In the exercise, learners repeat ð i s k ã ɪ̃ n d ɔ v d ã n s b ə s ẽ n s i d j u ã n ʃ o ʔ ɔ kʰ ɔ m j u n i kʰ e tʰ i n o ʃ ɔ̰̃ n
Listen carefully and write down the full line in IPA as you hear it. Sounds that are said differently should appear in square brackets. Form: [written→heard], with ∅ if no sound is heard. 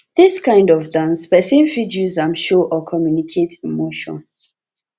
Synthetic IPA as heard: ð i s k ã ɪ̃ n d ɔ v d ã n s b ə s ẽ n [s→f] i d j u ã [n→m] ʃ o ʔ ɔ kʰ ɔ m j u n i kʰ e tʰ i [n→m] o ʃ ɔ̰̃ n

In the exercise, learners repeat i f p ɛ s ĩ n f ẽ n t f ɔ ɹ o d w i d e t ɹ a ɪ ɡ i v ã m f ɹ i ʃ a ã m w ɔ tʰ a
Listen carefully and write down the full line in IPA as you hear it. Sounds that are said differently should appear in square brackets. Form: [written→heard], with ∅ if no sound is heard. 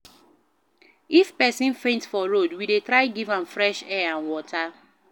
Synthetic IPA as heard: i f p ɛ s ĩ n f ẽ n t f ɔ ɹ o d w i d e t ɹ a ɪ ɡ i v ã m f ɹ [i→ɛ] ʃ [a→ɛ] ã [m→n] w ɔ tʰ a

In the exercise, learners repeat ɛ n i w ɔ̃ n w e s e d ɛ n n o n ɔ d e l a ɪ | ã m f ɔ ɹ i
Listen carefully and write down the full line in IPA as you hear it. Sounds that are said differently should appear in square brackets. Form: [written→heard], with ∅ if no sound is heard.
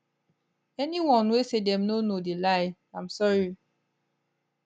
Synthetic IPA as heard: ɛ n i w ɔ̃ n w e s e d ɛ [n→m] n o n [ɔ→o] d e l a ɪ | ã m [f→s] ɔ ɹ i

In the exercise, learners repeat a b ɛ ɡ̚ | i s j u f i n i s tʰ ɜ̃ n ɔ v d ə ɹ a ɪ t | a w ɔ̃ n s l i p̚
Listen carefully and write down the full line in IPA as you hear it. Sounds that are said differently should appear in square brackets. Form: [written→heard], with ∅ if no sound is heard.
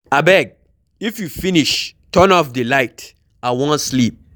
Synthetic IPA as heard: a b ɛ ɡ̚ | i [s→f] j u f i n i [s→ʃ] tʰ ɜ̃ n ɔ [v→f] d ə [ɹ→l] a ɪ t | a w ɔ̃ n s l i p̚

